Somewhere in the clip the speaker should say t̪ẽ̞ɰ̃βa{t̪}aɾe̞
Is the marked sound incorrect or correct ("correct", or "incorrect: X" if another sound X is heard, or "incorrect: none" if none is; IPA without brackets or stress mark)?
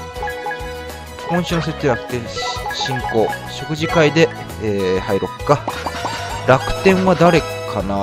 incorrect: d̪